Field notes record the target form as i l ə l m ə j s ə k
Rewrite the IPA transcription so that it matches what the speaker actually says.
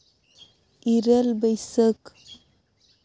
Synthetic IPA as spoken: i ɾ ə l b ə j s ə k